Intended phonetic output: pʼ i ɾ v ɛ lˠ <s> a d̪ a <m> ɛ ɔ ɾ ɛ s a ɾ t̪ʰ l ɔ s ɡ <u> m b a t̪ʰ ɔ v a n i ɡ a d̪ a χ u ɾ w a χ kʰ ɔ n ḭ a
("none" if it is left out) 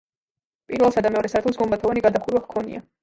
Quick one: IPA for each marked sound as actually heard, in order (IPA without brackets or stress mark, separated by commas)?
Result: s, m, ɔ